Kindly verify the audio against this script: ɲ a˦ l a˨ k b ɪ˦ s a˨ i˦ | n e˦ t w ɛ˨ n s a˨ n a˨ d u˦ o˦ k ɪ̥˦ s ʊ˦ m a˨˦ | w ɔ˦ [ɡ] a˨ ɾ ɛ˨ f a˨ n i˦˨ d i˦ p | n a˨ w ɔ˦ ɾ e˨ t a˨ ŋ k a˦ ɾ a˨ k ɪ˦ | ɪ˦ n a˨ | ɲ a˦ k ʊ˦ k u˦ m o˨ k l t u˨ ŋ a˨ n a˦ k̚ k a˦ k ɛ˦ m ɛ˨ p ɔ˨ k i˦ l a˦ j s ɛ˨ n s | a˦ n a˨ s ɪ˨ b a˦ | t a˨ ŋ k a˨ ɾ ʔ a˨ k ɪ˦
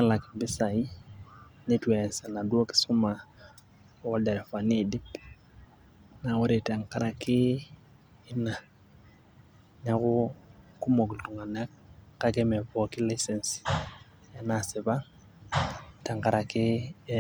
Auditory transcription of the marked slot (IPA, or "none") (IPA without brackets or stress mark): d